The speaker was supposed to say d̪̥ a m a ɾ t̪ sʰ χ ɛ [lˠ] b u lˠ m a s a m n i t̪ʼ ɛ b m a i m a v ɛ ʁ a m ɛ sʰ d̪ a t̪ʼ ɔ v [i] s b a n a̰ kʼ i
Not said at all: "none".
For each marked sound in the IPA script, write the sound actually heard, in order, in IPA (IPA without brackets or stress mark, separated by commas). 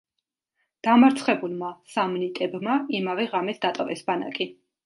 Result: none, ɛ